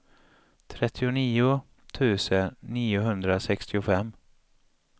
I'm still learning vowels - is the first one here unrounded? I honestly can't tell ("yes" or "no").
yes